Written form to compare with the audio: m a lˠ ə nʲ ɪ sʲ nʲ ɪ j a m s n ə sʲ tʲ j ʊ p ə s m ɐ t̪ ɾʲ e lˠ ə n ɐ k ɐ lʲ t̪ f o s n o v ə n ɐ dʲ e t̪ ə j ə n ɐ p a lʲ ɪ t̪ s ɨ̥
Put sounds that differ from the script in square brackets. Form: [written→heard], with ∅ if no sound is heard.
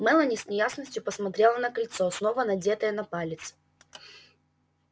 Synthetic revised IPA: m [a→ɛ] lˠ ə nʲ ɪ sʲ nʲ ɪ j a [m→∅] s n ə sʲ tʲ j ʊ p ə s m ɐ t̪ ɾʲ e lˠ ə n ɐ k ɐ lʲ t̪ [f→s] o s n o v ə n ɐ dʲ e t̪ ə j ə n ɐ p a lʲ ɪ t̪ s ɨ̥